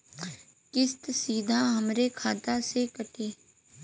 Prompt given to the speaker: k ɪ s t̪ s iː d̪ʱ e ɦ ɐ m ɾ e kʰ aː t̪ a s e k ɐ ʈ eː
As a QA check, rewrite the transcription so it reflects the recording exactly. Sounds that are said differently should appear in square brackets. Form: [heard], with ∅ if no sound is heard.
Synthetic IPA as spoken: k ɪ s t̪ s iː d̪ʱ [a] ɦ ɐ m ɾ e kʰ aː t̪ a s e k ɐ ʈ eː